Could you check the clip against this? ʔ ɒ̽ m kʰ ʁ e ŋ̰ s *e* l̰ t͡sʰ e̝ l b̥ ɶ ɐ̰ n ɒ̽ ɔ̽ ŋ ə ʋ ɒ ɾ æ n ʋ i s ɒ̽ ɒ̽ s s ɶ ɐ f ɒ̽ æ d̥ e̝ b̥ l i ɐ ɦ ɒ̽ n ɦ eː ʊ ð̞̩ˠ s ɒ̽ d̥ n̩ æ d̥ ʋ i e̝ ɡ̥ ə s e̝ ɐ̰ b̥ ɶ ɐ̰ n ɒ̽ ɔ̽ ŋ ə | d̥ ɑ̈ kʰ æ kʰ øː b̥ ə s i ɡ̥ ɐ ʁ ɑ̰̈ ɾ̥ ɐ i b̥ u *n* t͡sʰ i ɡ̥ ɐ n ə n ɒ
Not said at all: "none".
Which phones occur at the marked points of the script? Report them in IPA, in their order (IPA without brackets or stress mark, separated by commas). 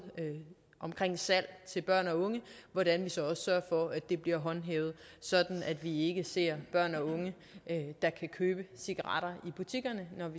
æ, none